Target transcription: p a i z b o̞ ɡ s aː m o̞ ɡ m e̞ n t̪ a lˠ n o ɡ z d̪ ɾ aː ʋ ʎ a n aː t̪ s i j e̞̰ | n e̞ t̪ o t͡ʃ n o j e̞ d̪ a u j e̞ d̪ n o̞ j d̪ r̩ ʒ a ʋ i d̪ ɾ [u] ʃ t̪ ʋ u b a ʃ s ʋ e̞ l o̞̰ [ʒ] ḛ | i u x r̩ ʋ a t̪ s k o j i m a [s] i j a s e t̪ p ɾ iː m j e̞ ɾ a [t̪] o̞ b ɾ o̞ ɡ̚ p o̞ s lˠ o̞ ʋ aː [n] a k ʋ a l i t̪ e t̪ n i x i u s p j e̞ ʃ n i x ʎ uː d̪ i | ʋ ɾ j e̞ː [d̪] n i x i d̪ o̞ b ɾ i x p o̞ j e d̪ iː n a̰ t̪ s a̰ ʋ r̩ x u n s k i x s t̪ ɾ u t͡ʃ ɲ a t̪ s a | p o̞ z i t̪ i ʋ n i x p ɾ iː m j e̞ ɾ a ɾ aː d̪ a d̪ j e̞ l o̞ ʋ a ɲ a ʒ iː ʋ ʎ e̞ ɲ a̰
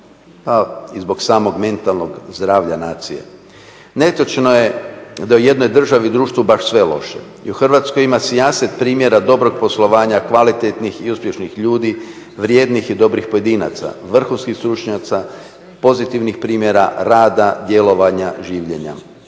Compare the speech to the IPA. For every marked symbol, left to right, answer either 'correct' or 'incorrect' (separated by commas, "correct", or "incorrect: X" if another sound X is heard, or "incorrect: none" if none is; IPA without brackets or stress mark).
incorrect: uː, incorrect: ʃ, correct, incorrect: d̪, incorrect: ɲ, correct